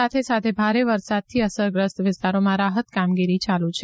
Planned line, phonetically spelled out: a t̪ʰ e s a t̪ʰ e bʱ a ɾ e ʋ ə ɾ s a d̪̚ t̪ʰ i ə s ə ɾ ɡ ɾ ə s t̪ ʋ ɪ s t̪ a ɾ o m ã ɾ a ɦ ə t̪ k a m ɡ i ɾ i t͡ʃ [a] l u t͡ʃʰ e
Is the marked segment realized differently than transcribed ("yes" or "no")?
no